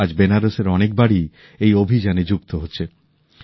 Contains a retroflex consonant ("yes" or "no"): yes